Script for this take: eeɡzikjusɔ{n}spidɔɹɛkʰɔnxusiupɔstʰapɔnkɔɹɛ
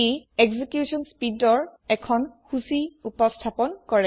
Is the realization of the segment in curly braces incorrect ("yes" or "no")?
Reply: no